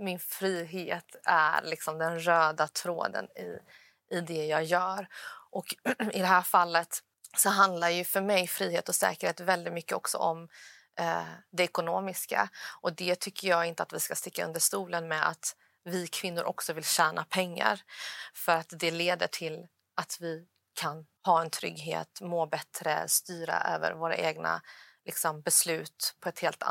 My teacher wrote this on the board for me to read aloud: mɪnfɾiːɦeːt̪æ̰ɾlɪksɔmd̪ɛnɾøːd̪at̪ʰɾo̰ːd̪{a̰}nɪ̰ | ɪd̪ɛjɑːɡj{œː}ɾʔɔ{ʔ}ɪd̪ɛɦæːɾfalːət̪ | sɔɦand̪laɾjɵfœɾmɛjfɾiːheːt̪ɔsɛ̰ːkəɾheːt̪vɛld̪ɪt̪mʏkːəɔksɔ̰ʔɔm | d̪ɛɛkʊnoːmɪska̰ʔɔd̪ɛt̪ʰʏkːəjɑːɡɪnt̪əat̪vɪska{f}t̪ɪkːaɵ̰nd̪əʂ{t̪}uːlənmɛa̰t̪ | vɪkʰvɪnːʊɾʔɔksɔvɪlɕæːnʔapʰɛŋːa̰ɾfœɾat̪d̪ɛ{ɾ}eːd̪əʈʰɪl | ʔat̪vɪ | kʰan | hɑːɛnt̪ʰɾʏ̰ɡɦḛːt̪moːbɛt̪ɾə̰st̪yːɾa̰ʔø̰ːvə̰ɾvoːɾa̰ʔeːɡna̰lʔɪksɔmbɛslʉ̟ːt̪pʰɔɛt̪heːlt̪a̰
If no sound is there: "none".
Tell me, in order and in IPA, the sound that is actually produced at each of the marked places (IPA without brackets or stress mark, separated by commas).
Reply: ə̰, œː, k, s, t̪, l